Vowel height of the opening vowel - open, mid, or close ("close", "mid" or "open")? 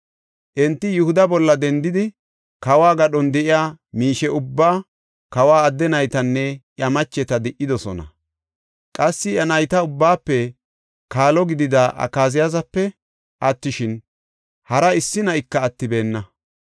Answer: mid